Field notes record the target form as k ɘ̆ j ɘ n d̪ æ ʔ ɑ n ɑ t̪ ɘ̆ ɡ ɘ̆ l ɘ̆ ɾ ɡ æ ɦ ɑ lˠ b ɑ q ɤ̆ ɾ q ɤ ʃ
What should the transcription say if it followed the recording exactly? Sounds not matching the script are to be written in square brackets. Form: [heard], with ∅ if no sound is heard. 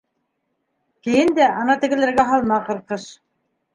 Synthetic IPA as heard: k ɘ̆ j ɘ n d̪ æ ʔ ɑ n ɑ t̪ ɘ̆ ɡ ɘ̆ l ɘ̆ ɾ ɡ æ ɦ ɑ lˠ [m] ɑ q ɤ̆ ɾ q ɤ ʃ